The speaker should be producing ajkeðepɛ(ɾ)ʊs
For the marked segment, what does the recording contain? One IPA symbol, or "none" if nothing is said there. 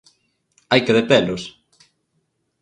l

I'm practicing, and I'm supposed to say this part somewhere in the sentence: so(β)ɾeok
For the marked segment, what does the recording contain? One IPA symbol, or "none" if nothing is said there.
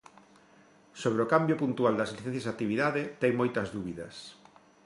β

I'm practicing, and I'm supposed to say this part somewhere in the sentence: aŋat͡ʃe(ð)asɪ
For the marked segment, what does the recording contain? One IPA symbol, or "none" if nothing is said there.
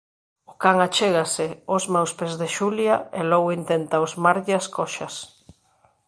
ɣ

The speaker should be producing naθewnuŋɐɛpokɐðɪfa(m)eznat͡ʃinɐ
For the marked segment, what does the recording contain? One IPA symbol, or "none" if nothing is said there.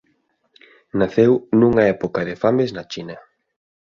m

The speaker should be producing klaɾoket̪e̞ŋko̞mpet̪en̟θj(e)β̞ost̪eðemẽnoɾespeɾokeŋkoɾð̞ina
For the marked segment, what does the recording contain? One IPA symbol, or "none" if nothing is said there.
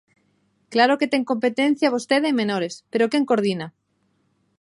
a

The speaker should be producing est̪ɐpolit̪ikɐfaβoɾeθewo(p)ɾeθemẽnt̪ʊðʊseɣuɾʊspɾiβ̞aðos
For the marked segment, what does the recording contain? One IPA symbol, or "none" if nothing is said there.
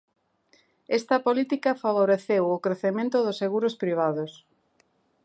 k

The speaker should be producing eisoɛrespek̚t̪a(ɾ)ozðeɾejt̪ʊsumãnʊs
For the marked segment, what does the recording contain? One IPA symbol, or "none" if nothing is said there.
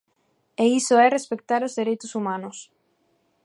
ɾ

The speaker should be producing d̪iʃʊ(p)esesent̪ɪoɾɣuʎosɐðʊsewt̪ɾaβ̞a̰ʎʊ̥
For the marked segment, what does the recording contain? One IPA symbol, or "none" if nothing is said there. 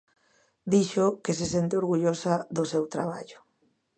k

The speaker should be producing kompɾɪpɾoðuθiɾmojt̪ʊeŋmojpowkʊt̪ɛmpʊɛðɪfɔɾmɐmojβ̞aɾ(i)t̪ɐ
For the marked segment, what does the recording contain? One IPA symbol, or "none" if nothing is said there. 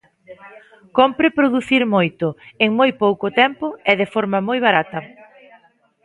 a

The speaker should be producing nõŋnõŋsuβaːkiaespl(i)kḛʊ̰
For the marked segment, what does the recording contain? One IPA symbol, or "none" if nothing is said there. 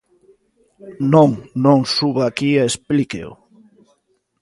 i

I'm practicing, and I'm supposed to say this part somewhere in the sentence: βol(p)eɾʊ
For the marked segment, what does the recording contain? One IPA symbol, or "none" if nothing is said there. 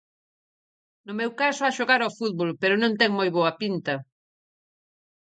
p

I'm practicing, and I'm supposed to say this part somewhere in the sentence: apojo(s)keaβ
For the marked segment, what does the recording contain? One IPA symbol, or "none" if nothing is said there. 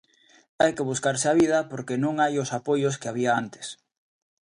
s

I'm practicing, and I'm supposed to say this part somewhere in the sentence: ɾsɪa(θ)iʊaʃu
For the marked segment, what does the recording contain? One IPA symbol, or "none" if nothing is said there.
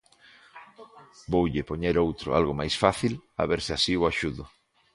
s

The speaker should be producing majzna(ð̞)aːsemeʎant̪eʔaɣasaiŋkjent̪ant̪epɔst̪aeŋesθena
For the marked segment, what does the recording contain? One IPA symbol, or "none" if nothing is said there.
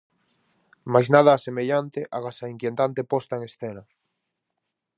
ð̞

